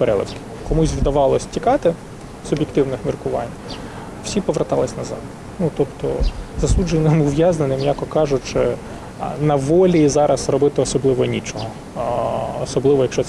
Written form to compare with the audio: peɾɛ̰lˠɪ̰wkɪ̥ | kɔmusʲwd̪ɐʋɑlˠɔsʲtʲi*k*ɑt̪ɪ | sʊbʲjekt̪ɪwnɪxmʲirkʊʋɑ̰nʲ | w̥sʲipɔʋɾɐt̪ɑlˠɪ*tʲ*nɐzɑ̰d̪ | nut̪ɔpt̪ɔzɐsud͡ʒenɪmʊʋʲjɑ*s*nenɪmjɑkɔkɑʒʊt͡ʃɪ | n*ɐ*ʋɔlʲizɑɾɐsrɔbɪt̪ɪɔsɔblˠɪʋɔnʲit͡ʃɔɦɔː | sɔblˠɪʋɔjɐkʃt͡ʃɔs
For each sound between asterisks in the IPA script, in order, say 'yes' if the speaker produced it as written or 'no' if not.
yes, no, no, yes

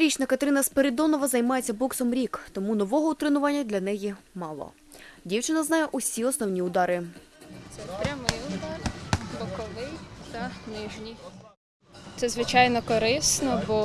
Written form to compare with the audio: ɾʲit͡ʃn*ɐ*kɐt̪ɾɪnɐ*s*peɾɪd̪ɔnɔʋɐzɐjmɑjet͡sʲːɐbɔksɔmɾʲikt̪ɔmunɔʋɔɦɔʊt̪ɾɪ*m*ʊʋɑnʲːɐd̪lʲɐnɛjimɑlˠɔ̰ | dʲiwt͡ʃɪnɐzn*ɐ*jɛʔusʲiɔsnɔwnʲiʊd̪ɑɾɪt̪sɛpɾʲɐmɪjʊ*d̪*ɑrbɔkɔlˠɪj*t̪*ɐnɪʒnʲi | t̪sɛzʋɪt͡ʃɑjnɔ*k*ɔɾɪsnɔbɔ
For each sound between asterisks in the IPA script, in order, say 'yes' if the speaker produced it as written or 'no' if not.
yes, yes, no, no, yes, yes, yes

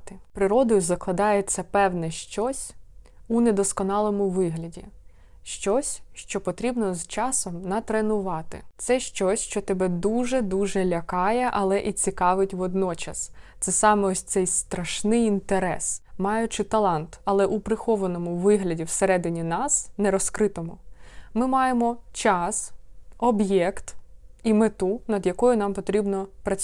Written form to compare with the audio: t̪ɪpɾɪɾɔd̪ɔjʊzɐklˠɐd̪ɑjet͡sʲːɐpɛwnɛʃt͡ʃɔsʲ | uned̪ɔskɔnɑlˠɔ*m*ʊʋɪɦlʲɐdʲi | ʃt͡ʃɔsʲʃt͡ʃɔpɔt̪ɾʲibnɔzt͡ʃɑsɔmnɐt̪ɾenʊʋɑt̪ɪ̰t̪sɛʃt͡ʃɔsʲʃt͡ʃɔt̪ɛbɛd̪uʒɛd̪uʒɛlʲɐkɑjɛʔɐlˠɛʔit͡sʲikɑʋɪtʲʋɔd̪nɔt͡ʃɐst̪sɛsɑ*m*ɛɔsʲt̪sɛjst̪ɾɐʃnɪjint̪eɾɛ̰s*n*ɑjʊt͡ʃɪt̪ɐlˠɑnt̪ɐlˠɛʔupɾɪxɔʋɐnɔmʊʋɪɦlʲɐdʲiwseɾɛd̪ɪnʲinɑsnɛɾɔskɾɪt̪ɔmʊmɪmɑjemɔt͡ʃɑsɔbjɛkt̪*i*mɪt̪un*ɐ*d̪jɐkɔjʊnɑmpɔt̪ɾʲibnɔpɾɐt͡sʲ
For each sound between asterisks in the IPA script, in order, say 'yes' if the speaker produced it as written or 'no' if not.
yes, yes, no, yes, yes

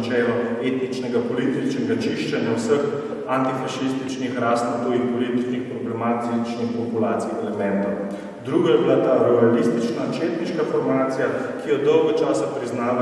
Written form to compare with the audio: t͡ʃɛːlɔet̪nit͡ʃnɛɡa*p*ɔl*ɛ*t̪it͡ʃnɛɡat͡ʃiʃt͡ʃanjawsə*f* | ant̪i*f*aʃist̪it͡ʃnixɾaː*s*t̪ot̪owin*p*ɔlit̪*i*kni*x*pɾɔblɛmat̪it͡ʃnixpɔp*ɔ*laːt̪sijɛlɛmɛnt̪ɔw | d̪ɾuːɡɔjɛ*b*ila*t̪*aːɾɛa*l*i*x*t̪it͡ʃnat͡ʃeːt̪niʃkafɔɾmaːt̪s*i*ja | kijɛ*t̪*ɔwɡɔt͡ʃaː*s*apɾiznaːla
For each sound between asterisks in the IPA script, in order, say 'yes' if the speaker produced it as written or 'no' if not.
yes, no, no, yes, yes, yes, yes, yes, no, yes, yes, yes, no, yes, no, yes

